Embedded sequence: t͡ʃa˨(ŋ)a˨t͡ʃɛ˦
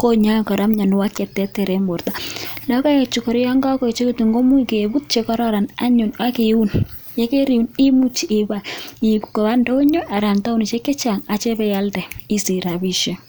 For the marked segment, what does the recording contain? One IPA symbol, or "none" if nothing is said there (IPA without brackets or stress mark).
ŋ